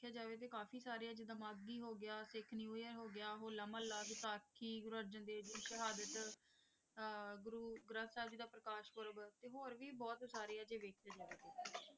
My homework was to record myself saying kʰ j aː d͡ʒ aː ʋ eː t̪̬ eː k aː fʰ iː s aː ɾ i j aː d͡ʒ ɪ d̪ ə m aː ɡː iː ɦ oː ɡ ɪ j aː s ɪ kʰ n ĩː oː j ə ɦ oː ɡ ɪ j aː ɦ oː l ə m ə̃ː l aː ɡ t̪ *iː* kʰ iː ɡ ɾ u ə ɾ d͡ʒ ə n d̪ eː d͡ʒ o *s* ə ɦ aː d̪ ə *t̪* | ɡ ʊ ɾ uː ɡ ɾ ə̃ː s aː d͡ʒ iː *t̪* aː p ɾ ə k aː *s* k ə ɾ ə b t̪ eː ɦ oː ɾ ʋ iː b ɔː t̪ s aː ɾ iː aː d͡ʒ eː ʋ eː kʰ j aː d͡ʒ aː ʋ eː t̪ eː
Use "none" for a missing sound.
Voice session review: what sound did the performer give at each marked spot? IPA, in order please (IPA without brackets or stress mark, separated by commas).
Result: aː, ʃ, t̪, d̪, ʃ